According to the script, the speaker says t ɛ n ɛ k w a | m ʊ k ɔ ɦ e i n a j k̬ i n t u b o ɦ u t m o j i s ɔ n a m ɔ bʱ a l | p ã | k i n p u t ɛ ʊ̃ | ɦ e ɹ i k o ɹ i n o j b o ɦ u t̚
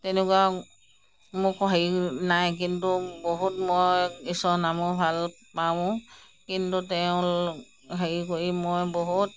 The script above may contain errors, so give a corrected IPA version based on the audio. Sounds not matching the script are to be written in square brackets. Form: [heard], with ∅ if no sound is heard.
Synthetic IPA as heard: t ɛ n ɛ k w a | m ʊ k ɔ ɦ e i n a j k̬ i n t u b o ɦ u t m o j i s ɔ n a m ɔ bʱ a l | p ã | k i n [t] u t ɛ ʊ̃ | ɦ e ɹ i k o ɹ i [m] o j b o ɦ u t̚